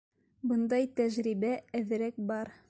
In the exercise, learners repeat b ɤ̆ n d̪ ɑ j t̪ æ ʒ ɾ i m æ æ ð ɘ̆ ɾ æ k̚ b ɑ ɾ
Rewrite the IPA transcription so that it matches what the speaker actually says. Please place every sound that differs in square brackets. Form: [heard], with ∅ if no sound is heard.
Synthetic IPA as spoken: b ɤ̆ n d̪ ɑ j t̪ æ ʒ ɾ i [b] æ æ ð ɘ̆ ɾ æ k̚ b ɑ ɾ

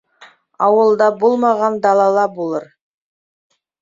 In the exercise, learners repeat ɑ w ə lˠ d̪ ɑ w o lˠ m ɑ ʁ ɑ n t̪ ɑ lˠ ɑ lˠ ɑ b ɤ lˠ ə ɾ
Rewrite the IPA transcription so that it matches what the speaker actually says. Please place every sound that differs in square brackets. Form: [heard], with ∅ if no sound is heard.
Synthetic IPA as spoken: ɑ w ə lˠ d̪ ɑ [b] o lˠ m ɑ ʁ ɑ n [d̪] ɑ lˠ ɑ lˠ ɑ b [o] lˠ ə ɾ

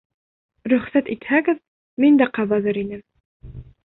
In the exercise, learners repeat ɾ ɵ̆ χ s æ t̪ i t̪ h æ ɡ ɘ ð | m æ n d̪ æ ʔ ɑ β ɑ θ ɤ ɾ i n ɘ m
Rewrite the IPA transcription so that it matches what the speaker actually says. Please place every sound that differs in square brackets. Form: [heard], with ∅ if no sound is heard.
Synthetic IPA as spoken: ɾ ɵ̆ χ s æ t̪ i t̪ h æ ɡ ɘ ð | m [i] n d̪ æ [q] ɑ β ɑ [ð] ɤ ɾ i n ɘ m

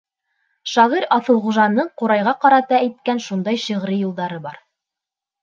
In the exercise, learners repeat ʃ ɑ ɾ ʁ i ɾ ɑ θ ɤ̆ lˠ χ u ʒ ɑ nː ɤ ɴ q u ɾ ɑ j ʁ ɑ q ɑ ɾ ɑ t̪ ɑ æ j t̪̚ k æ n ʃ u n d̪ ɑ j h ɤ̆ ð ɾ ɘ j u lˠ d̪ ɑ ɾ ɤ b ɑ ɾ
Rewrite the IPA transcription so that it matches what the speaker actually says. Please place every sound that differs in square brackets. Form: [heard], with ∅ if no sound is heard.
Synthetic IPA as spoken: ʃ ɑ [∅] ʁ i ɾ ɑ θ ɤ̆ lˠ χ u ʒ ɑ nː ɤ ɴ q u ɾ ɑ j ʁ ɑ q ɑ ɾ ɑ t̪ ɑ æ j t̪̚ k æ n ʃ u n d̪ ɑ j [ʃ] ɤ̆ [ʁ] ɾ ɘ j u lˠ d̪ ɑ ɾ ɤ b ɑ ɾ

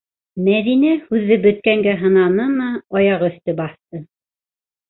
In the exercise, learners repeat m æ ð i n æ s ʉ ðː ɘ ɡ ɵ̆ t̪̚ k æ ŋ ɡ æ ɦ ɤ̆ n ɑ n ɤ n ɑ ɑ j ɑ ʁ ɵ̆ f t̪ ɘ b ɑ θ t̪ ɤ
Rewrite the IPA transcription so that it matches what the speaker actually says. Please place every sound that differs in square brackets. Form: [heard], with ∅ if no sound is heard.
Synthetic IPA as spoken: m æ ð i n æ [h] ʉ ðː ɘ [b] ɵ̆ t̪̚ k æ ŋ ɡ æ ɦ ɤ̆ n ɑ n ɤ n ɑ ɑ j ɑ ʁ ɵ̆ [θ] t̪ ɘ b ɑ θ t̪ ɤ

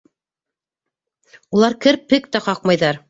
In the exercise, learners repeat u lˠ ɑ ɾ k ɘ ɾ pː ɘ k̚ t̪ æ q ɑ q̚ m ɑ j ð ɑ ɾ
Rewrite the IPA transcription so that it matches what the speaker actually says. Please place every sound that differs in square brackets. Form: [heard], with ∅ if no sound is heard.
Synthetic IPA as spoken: u lˠ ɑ ɾ k ɘ ɾ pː ɘ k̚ t̪ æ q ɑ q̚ m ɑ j ð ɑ ɾ

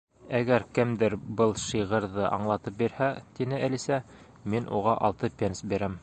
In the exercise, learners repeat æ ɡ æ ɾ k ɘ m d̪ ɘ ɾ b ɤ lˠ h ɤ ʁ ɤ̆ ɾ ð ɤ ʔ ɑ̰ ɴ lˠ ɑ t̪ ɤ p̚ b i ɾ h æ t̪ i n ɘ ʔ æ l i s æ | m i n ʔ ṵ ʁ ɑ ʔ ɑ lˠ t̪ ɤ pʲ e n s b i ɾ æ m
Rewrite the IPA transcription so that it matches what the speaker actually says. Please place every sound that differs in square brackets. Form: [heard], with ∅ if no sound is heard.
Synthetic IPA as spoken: æ ɡ æ ɾ k ɘ m d̪ ɘ ɾ b ɤ lˠ [ʃ] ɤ ʁ ɤ̆ ɾ ð ɤ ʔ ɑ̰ ɴ lˠ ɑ t̪ ɤ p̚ b i ɾ h æ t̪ i n ɘ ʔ æ l i s æ | m i n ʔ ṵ ʁ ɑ ʔ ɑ lˠ t̪ ɤ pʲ e n s b i ɾ æ m

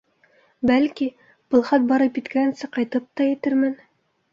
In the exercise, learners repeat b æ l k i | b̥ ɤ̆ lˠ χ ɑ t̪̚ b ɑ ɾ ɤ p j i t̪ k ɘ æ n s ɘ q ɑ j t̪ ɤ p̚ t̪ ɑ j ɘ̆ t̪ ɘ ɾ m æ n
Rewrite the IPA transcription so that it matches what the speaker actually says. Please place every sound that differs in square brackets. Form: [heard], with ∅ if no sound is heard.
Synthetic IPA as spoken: b æ l k i | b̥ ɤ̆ lˠ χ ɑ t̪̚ b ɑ ɾ ɤ p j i t̪ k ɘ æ n s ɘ q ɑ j t̪ ɤ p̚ t̪ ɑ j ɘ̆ t̪ ɘ ɾ m æ n

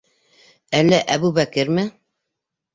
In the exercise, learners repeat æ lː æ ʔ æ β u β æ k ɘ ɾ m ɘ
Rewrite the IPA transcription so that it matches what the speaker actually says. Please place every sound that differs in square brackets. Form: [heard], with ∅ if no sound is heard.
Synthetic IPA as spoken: æ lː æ ʔ æ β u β æ k ɘ ɾ m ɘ

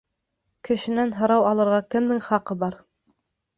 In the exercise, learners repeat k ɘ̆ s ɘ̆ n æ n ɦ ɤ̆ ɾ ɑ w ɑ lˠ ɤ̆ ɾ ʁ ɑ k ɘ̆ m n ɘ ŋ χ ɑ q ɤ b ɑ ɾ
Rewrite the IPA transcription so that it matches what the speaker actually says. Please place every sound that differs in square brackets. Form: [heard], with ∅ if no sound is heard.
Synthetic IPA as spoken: k ɘ̆ [ʃ] ɘ̆ n æ n ɦ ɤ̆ ɾ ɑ w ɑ lˠ ɤ̆ ɾ ʁ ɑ k ɘ̆ m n ɘ ŋ χ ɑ q ɤ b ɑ ɾ

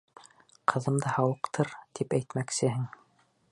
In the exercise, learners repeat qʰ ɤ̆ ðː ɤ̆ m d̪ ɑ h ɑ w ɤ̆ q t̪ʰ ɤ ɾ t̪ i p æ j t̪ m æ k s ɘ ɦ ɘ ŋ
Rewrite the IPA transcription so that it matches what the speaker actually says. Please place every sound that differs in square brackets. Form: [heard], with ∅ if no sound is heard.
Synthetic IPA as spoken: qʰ ɤ̆ [ð] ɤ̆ m d̪ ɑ h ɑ w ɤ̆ q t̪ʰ ɤ ɾ t̪ i p æ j t̪ m æ k s ɘ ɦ ɘ ŋ

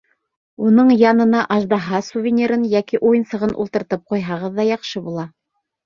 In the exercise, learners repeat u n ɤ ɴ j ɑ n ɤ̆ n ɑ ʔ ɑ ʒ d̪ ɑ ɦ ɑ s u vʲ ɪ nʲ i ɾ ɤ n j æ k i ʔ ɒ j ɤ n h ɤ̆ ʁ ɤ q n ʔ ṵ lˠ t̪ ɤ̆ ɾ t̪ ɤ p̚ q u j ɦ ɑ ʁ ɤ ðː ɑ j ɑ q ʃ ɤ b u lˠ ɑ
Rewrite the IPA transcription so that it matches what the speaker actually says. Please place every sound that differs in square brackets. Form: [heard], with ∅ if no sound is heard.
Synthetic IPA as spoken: u n ɤ ɴ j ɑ n ɤ̆ n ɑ ʔ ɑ ʒ d̪ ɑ ɦ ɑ s u vʲ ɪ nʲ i ɾ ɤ n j æ k i ʔ [u] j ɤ n [s] ɤ̆ ʁ ɤ [∅] n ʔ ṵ lˠ t̪ ɤ̆ ɾ t̪ ɤ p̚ q u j ɦ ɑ ʁ ɤ ðː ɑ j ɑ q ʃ ɤ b u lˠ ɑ

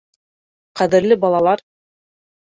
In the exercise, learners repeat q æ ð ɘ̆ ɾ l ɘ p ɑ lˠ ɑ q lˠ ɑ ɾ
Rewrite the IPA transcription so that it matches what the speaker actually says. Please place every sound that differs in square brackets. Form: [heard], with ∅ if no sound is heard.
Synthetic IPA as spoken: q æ ð ɘ̆ ɾ l ɘ [b] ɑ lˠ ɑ [∅] lˠ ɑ ɾ

